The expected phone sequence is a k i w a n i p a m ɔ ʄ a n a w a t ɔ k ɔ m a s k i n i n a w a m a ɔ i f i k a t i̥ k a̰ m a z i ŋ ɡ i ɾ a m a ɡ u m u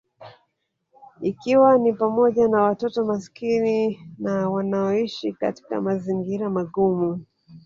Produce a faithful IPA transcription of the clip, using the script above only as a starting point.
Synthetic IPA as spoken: i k i w a n i p a m ɔ ʄ a n a w a t ɔ t ɔ m a s k i n i n a w a n a ɔ i ʃ i k a t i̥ k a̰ m a z i ŋ ɡ i ɾ a m a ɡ u m u